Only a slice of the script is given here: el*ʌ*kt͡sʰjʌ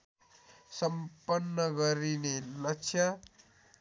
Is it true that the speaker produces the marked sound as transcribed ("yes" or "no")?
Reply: yes